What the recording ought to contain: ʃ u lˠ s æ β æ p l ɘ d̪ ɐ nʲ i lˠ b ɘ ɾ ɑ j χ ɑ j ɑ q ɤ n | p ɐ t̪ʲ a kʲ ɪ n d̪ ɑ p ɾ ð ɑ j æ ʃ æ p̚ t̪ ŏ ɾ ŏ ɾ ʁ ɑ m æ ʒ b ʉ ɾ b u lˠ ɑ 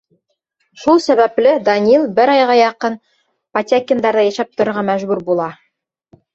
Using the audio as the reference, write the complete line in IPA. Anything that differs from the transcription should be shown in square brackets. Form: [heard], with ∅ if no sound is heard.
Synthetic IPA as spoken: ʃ u lˠ s æ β æ p l ɘ d̪ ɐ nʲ i lˠ b ɘ ɾ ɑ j [ʁ] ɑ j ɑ q ɤ n | p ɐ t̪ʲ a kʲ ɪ n d̪ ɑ [∅] ɾ ð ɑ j æ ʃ æ p̚ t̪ ŏ ɾ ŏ ɾ ʁ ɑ m æ ʒ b ʉ ɾ b u lˠ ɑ